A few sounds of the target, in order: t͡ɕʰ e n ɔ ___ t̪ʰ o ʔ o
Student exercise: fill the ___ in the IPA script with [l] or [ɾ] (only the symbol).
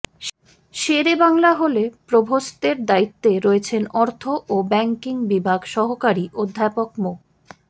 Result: ɾ